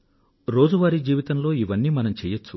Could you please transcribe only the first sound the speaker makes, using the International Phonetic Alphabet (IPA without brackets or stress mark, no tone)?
ɾ